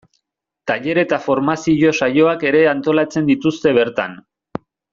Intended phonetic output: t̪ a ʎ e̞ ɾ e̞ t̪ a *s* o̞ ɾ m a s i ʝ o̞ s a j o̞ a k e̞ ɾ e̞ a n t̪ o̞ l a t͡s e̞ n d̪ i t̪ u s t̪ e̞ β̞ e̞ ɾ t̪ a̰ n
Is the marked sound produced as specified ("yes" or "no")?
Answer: no